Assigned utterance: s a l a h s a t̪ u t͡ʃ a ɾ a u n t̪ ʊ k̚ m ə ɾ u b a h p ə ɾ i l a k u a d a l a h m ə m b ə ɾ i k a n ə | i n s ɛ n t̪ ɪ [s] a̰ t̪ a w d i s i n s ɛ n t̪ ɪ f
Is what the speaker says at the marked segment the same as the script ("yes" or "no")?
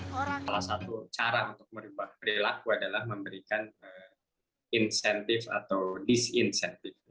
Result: no